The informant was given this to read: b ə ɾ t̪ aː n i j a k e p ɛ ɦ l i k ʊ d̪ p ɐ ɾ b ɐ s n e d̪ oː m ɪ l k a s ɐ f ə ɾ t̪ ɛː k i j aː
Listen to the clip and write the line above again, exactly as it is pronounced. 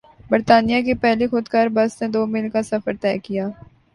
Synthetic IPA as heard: b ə ɾ t̪ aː n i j a k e p ɛ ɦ l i x ʊ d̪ k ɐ ɾ b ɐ s n e d̪ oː m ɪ l k a s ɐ f ə ɾ t̪ ɛː k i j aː